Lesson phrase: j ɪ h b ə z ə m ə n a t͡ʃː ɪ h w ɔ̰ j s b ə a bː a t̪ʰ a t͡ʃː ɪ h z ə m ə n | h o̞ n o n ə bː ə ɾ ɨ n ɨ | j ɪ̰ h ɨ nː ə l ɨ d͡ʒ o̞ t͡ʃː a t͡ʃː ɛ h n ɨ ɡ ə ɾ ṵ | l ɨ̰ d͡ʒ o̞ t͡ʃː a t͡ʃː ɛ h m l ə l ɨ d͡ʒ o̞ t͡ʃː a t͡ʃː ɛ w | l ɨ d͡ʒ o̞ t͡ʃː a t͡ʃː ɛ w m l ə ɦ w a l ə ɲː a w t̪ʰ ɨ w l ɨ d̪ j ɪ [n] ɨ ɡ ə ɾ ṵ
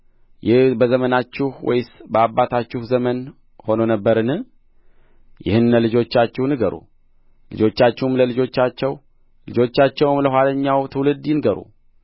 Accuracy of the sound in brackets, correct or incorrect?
correct